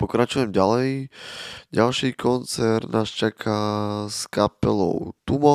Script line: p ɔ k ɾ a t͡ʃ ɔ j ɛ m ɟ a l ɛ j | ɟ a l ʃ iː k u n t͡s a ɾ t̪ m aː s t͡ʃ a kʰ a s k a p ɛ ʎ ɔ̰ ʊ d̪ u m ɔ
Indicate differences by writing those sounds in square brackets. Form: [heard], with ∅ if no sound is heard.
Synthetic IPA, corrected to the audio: p ɔ k ɾ a t͡ʃ [u] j ɛ m ɟ a l ɛ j | ɟ a l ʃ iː k [ɔ] n t͡s [ɛ] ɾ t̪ [n] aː s t͡ʃ a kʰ a s k a p ɛ [l] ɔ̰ ʊ [t̪] u m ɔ